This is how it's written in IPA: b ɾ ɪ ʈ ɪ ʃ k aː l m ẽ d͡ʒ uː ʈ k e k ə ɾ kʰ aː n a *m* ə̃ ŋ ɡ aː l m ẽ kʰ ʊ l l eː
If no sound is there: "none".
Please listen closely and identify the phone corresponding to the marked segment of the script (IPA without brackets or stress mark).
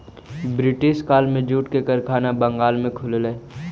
b